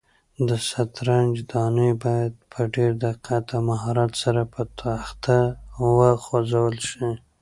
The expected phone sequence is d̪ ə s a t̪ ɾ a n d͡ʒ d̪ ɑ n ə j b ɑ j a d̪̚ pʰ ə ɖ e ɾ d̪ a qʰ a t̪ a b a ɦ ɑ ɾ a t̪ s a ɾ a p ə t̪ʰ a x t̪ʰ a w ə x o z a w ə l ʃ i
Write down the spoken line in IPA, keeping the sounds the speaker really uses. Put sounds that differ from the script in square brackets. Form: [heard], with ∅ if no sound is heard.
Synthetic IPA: d̪ ə s a t̪ ɾ a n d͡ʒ d̪ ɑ n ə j b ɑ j a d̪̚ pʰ ə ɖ e ɾ d̪ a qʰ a t̪ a [m] a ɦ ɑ ɾ a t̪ s a ɾ a p ə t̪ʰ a x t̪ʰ a w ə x o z a w ə l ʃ i